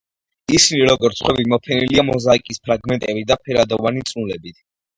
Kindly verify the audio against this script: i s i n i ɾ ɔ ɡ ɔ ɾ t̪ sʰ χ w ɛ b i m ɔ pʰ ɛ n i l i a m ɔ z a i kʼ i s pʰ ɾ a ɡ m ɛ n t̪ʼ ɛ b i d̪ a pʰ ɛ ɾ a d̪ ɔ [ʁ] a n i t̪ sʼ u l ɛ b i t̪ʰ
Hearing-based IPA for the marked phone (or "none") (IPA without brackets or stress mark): v